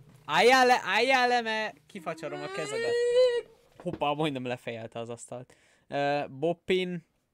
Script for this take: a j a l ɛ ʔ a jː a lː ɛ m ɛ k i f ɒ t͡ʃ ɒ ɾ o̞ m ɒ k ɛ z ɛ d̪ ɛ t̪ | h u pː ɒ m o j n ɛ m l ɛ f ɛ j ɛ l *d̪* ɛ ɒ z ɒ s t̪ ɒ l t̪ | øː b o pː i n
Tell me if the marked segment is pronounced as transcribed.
no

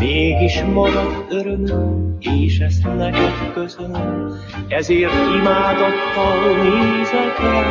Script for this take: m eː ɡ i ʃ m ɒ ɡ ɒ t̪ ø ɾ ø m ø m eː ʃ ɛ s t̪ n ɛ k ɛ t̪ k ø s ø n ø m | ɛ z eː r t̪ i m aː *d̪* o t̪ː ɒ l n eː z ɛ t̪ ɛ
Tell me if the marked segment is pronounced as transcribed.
yes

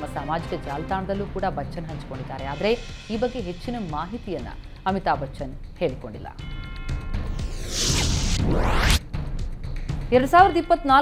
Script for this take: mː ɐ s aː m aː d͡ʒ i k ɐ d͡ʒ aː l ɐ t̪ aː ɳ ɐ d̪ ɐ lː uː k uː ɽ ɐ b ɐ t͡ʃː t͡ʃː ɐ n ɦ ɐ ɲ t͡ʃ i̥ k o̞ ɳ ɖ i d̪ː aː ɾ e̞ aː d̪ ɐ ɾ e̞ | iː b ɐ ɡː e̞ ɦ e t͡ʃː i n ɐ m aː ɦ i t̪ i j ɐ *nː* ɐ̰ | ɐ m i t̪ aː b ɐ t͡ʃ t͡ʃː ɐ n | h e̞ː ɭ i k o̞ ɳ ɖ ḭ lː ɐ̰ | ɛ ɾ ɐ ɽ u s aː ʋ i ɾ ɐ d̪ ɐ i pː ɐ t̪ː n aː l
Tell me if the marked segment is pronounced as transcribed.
yes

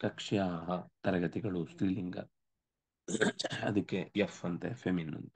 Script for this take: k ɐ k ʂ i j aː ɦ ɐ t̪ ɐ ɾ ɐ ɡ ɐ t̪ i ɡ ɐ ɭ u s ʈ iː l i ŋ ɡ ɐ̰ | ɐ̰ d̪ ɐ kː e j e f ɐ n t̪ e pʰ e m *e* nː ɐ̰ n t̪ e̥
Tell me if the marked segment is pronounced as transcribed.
no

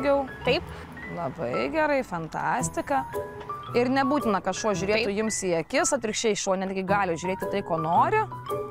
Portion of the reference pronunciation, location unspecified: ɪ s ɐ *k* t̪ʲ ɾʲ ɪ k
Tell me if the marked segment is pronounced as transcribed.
no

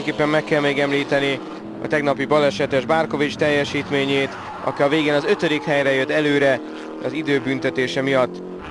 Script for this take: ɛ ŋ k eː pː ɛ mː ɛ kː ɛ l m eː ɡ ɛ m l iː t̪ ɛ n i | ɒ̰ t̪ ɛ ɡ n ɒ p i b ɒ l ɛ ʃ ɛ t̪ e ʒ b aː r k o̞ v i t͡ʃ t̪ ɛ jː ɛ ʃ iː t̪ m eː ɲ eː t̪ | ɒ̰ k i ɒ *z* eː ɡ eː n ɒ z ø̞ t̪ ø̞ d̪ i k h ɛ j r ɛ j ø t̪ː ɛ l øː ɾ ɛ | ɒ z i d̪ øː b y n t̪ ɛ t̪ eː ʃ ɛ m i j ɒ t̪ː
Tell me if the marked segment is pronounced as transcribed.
no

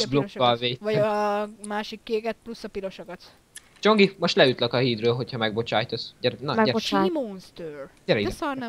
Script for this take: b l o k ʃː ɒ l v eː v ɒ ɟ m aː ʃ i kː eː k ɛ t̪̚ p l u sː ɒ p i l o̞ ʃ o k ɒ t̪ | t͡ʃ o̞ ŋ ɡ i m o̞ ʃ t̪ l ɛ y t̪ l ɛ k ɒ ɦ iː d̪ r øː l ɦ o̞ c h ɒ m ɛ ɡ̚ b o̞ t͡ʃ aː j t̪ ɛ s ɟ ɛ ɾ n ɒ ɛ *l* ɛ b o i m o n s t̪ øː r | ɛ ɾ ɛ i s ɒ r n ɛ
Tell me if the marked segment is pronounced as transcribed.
no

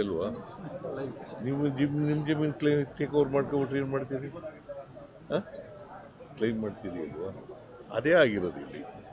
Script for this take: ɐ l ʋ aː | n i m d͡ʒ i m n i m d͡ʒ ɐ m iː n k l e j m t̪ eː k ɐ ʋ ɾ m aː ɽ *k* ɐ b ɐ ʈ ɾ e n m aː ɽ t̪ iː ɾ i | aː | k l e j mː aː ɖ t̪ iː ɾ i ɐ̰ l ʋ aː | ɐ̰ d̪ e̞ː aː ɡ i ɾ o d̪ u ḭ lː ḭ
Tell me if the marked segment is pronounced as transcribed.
yes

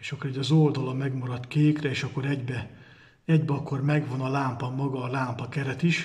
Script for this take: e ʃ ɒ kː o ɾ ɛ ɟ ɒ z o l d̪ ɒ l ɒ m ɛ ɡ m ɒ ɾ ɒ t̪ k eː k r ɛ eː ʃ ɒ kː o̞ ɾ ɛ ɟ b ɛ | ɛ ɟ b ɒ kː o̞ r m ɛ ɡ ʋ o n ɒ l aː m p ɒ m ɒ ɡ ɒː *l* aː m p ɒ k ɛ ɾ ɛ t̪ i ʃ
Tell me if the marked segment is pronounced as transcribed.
yes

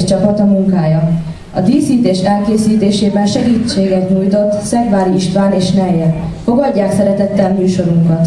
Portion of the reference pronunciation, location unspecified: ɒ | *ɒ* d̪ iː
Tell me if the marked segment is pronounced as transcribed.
yes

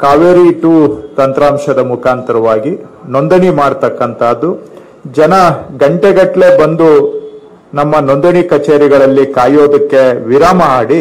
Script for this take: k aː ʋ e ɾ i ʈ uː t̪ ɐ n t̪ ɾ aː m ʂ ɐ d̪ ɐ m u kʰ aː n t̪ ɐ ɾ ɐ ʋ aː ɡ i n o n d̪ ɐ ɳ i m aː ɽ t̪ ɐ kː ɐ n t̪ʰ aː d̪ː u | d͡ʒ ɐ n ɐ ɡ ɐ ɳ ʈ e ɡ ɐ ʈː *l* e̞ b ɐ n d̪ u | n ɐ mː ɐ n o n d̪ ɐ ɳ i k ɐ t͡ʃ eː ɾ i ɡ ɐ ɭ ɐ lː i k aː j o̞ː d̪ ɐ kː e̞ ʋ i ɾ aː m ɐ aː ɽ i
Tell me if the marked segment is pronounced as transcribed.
yes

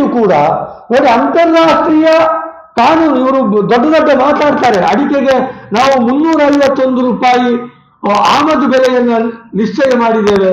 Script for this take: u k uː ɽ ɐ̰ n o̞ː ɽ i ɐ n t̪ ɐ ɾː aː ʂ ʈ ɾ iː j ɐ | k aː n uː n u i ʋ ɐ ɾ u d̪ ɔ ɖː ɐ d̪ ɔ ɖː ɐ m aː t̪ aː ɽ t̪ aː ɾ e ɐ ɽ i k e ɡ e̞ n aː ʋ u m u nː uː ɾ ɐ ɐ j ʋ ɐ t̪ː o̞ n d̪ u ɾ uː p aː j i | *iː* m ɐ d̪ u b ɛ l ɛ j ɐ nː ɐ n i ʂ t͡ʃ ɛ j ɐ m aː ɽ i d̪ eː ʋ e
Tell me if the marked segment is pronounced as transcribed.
no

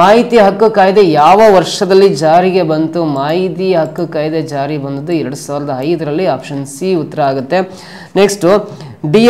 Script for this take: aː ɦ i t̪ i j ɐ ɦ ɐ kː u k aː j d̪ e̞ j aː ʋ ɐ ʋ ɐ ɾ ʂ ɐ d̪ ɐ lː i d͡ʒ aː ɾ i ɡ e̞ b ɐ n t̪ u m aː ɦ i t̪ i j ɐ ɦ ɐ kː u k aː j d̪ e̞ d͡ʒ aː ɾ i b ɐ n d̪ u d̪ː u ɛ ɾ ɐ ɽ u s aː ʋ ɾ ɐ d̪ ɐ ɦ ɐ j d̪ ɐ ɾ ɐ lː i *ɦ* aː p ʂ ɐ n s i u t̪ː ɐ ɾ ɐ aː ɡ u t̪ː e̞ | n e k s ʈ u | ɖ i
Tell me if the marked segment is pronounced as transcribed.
no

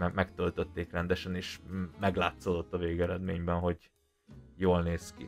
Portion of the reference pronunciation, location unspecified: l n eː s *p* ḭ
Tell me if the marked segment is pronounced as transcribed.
no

